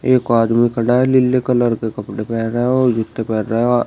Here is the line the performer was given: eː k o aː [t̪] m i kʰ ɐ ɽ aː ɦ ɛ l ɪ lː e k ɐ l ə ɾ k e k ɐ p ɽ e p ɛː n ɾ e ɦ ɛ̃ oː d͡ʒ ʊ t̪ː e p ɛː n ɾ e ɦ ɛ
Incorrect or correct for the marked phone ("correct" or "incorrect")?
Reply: incorrect